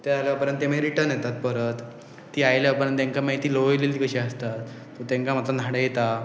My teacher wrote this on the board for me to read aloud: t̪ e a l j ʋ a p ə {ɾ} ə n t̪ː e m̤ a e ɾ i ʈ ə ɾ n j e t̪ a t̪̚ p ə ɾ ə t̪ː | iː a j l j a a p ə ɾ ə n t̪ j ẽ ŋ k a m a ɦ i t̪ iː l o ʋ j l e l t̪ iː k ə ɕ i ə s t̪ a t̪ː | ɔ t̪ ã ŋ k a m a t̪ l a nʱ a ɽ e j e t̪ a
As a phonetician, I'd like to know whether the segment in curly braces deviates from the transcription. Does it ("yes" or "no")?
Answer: no